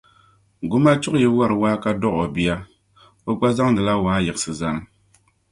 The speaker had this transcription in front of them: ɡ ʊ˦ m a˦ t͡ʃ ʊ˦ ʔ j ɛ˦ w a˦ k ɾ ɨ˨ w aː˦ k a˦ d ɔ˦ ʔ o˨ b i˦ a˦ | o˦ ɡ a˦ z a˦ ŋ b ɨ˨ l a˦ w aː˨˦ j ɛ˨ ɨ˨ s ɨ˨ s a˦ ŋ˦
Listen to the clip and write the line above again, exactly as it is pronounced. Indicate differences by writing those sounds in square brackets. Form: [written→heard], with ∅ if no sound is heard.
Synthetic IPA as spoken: ɡ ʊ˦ m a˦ t͡ʃ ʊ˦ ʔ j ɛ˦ w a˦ [k→∅] ɾ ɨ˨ w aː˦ k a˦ d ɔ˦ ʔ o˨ b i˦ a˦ | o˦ [ɡ→ɡ͡b] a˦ z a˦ ŋ [b→d] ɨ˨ l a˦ w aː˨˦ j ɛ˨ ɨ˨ s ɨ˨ [s→z] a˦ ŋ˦